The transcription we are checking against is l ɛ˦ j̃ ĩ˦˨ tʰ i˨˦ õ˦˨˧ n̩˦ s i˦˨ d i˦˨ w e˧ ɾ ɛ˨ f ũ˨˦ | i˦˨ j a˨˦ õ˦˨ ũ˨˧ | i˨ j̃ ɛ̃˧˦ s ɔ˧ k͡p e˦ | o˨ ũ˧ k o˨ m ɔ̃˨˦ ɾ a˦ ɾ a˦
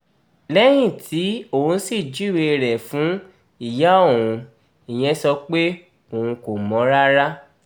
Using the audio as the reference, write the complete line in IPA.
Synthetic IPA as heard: l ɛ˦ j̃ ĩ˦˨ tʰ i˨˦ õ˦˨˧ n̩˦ s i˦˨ d͡ʒ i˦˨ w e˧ ɾ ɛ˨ f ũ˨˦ | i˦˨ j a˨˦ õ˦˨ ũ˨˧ | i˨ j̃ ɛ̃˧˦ s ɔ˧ k͡p e˦ | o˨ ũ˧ k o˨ m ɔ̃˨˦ ɾ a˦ ɾ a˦